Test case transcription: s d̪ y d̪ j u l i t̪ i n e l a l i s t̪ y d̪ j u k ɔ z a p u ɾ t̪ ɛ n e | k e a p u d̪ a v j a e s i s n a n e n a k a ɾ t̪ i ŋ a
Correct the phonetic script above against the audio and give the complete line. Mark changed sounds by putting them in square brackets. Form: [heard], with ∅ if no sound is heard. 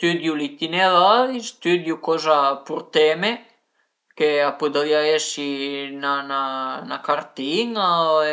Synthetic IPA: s [t̪] y d̪ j u l i t̪ i n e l a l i s t̪ y d̪ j u k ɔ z a p u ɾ t̪ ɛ [m] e | k e a p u d̪ a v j a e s i [∅] n a n [a] n a k a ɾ t̪ i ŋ a